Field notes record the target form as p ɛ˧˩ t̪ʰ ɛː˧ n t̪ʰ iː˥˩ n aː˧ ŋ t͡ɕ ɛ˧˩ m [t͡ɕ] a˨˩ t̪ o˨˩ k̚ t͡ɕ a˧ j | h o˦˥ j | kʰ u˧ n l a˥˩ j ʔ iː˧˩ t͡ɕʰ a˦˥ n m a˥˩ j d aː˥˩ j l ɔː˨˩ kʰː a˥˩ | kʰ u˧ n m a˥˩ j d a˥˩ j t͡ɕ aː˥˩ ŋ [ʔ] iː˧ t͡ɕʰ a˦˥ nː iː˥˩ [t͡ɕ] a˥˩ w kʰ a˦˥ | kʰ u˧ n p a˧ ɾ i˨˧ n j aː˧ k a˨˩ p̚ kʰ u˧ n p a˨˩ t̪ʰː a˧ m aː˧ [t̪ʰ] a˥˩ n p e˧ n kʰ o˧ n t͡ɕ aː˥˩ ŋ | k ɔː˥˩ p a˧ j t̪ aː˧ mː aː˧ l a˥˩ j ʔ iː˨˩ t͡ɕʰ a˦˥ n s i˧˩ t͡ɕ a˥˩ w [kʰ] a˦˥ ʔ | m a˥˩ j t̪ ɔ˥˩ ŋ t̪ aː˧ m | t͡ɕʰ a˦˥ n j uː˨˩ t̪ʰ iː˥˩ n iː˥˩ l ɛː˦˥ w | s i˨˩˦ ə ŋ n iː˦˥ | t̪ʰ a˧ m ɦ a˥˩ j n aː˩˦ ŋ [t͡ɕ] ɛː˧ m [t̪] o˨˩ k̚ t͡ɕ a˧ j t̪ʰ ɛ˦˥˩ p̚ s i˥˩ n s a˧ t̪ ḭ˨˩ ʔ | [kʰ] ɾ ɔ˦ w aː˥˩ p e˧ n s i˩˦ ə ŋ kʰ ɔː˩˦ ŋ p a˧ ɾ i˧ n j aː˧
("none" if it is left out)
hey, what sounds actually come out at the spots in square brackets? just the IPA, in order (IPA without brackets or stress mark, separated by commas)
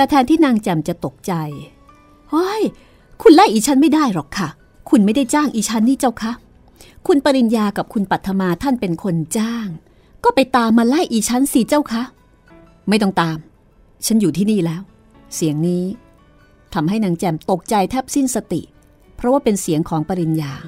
t͡ɕ, ʔ, t͡ɕ, t̪ʰ, kʰ, t͡ɕ, t̪, pʰ